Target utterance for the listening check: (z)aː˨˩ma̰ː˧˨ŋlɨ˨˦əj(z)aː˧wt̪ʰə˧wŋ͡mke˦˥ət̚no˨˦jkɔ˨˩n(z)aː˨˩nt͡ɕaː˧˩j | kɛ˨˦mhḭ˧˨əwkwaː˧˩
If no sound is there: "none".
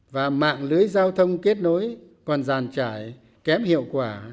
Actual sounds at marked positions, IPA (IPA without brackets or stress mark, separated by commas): v, z, z